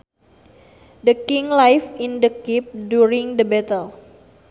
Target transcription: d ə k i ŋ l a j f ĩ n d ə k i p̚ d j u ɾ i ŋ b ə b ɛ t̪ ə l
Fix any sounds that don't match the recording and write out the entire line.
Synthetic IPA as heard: d ə k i ŋ l a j f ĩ n d ə k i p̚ d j u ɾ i ŋ d ə b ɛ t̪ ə l